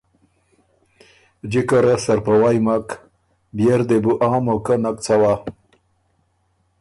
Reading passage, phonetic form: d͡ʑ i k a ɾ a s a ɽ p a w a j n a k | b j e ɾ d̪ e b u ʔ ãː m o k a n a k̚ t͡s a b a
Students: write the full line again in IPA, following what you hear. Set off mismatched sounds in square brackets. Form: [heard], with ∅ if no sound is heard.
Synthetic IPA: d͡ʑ i k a ɾ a s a [ɾ] p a w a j [m] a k | b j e ɾ d̪ e b u ʔ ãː m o k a n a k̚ t͡s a [w] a